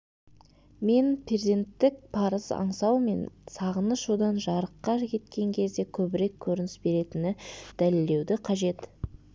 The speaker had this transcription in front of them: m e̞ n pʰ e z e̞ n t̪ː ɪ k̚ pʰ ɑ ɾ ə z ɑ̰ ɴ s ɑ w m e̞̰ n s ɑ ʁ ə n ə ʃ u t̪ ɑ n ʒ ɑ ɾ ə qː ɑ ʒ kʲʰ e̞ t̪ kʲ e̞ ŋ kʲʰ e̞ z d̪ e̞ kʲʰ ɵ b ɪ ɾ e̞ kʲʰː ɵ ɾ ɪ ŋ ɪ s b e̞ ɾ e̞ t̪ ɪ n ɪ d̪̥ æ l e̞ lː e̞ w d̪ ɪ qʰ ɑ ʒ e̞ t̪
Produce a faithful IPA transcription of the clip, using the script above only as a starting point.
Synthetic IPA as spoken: m e̞ n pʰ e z e̞ n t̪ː ɪ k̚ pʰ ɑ ɾ ə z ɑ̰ ɴ s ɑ w m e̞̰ n s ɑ ʁ ə n ə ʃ u d̪ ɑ n ʒ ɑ ɾ ə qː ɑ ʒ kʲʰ e̞ t̪ kʲ e̞ ŋ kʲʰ e̞ z d̪ e̞ kʲʰ ɵ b ɪ ɾ e̞ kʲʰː ɵ ɾ ɪ n ɪ s b e̞ ɾ e̞ t̪ ɪ n ɪ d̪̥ æ l e̞ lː e̞ w d̪ ɪ qʰ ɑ ʒ e̞ t̪